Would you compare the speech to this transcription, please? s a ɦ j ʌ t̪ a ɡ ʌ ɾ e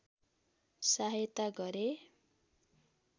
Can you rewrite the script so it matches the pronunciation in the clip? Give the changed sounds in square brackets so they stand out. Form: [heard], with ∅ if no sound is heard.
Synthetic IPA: s a ɦ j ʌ t̪ a ɡ ʌ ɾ e